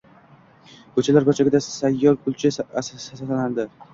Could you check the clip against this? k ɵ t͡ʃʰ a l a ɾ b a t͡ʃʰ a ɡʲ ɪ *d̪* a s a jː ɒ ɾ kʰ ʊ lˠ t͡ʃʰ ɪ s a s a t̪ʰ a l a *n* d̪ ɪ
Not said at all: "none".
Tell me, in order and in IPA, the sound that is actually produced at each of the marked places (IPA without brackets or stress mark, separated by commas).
d̪, n